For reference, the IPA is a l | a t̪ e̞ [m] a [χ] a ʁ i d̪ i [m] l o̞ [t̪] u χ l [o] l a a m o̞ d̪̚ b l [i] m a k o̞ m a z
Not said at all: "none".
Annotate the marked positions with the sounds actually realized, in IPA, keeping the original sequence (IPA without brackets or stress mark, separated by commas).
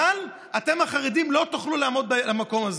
m, χ, m, t̪, u, a